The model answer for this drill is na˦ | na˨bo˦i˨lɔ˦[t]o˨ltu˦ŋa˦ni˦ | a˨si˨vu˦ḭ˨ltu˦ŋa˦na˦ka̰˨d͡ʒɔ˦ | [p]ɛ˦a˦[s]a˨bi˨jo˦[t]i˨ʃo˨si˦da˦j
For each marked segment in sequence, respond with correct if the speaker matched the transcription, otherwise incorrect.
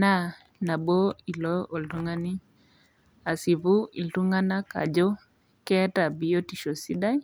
incorrect, incorrect, incorrect, correct

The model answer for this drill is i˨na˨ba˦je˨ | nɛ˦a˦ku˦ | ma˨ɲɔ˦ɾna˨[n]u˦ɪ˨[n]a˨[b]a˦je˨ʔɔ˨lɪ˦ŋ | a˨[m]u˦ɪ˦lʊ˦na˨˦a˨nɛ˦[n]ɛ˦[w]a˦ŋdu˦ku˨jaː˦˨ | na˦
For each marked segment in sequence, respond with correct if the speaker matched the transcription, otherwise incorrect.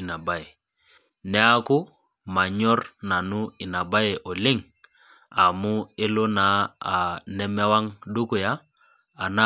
correct, correct, correct, correct, incorrect, correct

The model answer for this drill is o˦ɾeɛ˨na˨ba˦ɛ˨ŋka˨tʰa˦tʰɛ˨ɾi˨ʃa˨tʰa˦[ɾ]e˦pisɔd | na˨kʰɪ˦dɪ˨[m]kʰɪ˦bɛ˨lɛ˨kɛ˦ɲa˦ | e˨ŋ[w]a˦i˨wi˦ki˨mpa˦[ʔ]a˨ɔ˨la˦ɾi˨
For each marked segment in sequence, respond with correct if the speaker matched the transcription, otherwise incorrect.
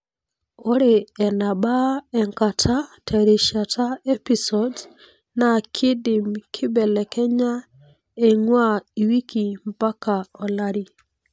incorrect, correct, correct, incorrect

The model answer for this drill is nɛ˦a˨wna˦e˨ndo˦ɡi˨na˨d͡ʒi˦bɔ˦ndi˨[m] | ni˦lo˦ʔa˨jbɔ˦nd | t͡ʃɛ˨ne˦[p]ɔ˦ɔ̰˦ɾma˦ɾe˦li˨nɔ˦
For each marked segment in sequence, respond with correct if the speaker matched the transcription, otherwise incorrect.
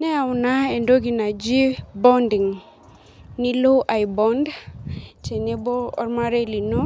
incorrect, incorrect

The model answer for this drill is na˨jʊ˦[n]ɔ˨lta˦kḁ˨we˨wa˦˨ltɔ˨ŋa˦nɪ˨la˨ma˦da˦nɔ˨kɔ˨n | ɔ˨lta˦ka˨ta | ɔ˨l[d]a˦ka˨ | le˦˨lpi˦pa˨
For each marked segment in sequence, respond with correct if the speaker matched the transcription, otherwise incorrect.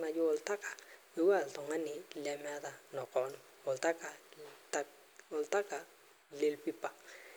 incorrect, incorrect

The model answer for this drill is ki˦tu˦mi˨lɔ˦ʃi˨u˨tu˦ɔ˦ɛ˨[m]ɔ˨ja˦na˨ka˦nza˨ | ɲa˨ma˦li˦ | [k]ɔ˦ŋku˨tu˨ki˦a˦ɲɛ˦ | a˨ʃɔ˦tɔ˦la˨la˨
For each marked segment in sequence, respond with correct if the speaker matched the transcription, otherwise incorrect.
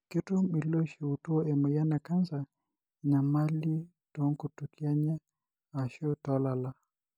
correct, incorrect

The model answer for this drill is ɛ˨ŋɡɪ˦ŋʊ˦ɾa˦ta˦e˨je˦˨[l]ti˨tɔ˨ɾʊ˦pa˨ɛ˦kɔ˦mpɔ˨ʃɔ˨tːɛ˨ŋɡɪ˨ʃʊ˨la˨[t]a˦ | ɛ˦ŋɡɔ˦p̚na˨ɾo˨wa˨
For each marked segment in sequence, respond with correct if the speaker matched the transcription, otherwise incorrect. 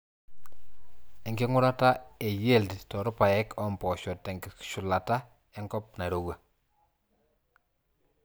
correct, correct

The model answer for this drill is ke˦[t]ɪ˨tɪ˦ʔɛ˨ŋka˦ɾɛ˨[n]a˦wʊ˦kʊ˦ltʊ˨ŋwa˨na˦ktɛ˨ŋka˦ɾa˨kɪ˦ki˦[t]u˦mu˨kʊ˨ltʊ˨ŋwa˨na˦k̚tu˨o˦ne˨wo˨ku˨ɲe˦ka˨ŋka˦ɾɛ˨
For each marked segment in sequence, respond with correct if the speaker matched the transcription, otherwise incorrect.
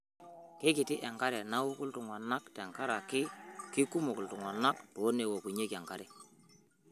incorrect, correct, incorrect

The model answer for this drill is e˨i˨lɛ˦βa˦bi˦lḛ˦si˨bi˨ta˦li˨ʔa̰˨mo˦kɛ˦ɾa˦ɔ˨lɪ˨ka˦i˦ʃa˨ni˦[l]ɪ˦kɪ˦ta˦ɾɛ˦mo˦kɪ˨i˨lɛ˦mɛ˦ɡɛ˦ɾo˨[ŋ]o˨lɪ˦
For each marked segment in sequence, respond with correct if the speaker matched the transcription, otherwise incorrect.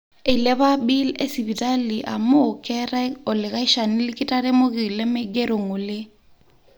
correct, correct

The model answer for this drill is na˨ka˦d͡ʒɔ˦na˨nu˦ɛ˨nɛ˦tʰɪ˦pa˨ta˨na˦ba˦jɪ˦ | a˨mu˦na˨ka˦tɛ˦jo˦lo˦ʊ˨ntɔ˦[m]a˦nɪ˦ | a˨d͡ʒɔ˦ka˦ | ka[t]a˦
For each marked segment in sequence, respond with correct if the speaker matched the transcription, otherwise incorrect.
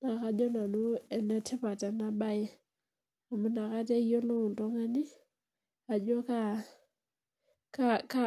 incorrect, incorrect

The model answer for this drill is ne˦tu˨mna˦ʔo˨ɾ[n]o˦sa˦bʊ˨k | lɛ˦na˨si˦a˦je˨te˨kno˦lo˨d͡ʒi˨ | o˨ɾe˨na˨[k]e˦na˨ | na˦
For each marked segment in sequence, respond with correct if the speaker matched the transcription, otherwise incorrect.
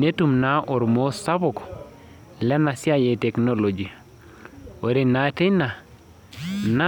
incorrect, incorrect

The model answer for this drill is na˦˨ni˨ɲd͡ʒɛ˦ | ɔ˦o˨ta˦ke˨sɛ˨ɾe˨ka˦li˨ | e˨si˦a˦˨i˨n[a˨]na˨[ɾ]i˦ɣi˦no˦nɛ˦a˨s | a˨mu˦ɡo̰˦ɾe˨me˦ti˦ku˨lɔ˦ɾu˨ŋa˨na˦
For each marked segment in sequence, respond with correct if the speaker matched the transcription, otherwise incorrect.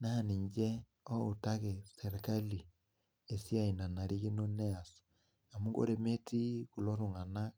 correct, correct

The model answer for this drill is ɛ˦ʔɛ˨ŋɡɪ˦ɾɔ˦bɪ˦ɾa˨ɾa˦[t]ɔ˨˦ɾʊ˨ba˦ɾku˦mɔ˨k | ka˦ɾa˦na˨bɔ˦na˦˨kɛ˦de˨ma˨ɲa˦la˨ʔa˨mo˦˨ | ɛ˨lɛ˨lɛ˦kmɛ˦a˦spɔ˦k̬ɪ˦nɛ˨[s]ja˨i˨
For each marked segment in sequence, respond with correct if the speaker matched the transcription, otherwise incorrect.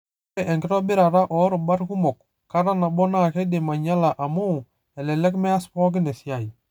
incorrect, correct

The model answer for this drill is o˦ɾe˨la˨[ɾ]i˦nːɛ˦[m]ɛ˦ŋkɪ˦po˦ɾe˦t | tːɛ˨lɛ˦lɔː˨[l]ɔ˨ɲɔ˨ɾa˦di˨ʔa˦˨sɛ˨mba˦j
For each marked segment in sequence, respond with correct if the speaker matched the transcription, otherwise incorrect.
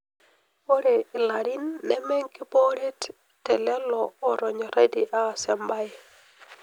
correct, correct, incorrect

